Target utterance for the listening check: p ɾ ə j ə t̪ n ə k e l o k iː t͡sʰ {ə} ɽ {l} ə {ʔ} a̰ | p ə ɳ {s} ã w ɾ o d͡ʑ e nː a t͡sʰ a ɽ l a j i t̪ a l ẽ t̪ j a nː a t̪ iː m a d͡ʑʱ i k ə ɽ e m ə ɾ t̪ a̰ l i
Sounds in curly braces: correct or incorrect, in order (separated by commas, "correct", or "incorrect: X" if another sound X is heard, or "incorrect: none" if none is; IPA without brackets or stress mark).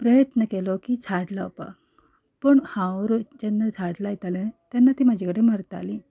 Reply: incorrect: a, correct, incorrect: p, incorrect: h